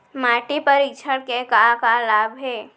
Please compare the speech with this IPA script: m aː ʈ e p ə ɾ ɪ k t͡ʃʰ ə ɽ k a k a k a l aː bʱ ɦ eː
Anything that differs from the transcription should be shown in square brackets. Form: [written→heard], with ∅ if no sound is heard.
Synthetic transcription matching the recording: m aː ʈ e p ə ɾ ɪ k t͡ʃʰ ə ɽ k [a→e] k a k a l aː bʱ ɦ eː